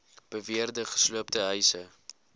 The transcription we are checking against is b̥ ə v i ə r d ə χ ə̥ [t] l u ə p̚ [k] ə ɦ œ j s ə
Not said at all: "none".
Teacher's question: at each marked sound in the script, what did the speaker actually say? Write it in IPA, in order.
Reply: s, t

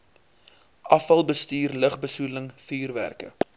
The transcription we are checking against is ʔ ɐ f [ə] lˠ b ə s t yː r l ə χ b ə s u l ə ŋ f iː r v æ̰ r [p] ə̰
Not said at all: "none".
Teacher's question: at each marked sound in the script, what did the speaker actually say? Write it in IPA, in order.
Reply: ɐ, k

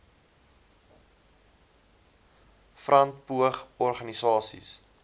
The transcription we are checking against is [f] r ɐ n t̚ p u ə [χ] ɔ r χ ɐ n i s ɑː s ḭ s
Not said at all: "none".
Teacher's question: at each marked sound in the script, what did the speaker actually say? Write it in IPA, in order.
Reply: f, χ

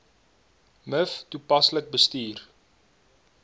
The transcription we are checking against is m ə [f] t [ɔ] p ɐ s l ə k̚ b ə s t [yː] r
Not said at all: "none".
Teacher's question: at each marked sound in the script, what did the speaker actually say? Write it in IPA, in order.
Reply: f, u, iː

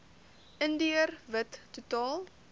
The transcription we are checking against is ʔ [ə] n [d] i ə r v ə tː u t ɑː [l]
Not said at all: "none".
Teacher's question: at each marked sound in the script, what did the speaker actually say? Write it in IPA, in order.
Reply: ə, d, l

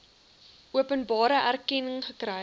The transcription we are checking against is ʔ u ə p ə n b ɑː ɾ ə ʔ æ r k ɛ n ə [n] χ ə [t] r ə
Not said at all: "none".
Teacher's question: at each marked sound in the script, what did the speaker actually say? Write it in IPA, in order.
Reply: ŋ, k

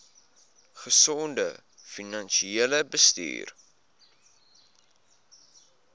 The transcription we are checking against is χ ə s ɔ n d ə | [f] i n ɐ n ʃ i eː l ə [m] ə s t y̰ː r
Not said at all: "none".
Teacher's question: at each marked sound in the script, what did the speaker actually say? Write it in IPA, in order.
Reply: f, b

